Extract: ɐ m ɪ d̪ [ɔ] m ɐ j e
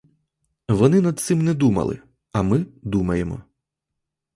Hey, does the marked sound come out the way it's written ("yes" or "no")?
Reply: no